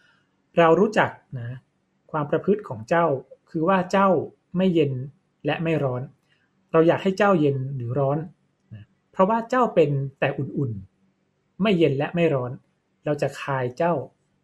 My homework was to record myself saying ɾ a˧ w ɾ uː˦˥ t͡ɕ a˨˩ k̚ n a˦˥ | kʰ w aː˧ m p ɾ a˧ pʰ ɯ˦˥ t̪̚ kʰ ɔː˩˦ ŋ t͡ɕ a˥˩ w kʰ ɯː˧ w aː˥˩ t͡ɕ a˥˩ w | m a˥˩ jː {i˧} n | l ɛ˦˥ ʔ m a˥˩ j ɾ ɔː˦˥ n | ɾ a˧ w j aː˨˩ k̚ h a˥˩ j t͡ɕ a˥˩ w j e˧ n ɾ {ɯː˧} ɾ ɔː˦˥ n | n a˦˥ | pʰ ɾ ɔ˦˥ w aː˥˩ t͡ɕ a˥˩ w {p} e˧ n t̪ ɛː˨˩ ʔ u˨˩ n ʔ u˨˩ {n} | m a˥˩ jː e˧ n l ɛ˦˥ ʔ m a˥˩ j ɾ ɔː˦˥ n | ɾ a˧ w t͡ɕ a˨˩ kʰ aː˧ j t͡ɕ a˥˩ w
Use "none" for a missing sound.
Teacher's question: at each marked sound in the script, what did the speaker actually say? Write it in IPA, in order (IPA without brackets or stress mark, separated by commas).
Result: e˧, ɯː˩˦, p, n